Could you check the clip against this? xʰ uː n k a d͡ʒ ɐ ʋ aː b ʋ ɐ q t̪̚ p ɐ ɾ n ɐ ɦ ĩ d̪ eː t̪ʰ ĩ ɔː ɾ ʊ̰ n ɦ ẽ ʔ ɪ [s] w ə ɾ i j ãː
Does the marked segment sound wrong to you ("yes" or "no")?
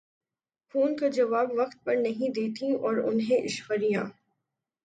yes